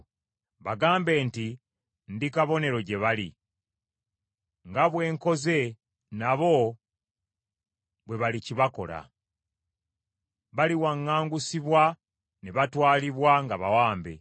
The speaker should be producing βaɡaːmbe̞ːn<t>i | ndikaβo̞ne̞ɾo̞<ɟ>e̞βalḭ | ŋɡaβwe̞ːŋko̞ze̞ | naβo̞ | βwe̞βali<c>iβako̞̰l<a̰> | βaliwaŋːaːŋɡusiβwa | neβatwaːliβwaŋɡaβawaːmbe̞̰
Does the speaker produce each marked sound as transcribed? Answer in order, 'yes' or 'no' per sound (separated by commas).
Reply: yes, yes, yes, yes